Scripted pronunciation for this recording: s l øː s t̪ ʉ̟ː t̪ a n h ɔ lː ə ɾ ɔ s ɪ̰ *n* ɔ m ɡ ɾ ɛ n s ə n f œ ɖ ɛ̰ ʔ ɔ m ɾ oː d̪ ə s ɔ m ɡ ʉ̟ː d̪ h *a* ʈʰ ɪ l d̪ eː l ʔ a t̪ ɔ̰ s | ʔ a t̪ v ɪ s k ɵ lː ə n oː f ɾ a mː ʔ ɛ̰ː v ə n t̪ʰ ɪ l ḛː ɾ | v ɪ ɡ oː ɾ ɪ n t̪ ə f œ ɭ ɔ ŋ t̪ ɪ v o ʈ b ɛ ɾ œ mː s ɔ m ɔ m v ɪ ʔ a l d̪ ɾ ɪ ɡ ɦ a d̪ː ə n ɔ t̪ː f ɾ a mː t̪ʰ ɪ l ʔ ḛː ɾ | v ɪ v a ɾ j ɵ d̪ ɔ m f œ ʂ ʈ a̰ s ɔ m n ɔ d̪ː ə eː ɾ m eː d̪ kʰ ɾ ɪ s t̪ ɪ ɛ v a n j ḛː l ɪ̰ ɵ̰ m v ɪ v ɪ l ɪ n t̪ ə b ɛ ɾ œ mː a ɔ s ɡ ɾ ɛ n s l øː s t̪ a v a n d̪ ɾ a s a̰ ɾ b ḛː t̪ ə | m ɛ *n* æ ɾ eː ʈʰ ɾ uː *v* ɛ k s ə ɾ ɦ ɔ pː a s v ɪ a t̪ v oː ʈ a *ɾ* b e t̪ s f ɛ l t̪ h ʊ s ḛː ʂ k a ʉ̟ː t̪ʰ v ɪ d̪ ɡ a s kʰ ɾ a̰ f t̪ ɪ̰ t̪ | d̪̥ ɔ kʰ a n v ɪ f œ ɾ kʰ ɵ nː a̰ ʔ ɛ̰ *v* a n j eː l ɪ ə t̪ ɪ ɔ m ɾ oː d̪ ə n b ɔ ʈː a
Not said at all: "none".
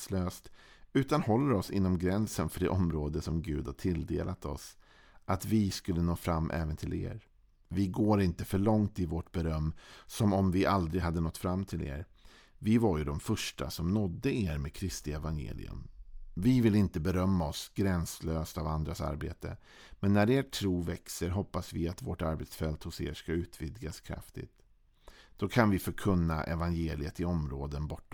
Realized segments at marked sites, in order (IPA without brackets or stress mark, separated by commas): nː, a, nː, v, ɾ, v